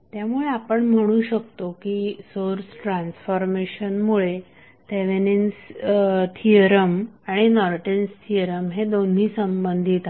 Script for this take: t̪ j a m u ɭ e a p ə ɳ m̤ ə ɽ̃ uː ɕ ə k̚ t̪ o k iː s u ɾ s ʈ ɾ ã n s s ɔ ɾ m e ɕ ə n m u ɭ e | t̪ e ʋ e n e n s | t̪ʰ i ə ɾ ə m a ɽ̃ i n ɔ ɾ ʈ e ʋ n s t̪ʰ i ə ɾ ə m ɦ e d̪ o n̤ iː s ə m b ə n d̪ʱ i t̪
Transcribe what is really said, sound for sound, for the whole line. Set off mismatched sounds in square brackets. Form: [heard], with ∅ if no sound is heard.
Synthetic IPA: t̪ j a m u ɭ e a p ə ɳ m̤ ə ɽ̃ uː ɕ ə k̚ t̪ o k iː s [o] ɾ s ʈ ɾ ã n s [f] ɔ ɾ m e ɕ ə n m u ɭ e | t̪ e ʋ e n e n s | t̪ʰ i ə ɾ ə m a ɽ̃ i n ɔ ɾ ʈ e [∅] n s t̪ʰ i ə ɾ ə m ɦ e d̪ o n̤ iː s ə m b ə n d̪ʱ i t̪